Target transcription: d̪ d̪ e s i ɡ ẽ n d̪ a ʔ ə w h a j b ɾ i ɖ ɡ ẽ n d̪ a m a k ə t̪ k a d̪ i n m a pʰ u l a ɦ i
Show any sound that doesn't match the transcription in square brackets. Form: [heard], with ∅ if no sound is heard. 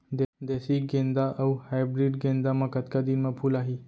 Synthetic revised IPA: d̪ d̪ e s i ɡ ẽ n d̪ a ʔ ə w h a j b ɾ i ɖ ɡ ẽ n d̪ a m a k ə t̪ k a d̪ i n m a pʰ u l a ɦ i